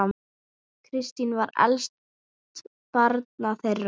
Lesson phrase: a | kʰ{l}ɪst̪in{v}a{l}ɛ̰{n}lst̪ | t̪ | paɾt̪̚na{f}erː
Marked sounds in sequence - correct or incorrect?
incorrect: ɾ, correct, incorrect: ɾ, incorrect: none, incorrect: θ

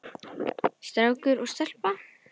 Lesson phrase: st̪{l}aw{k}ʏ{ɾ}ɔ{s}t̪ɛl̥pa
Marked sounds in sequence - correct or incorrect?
incorrect: ɾ, correct, correct, correct

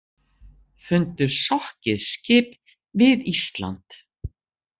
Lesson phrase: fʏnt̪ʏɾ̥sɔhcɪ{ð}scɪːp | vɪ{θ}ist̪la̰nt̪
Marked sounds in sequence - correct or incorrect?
correct, incorrect: ð

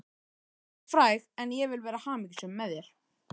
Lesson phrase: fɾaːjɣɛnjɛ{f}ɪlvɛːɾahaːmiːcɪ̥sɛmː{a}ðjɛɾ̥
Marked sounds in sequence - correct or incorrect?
incorrect: v, incorrect: ɛ

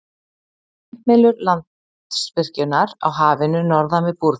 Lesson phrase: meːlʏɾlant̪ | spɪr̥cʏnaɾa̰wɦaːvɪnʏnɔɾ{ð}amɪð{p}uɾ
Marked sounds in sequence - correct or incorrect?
correct, correct

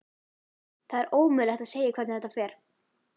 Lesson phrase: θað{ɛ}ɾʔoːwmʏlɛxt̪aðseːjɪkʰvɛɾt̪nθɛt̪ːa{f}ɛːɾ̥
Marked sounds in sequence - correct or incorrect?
correct, correct

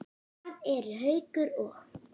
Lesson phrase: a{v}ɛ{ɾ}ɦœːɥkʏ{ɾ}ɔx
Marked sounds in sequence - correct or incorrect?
incorrect: ð, correct, correct

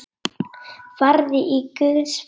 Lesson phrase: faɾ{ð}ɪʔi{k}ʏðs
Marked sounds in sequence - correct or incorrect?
correct, correct

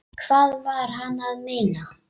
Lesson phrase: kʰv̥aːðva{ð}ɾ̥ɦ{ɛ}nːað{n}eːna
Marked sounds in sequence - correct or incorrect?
incorrect: none, incorrect: a, incorrect: m

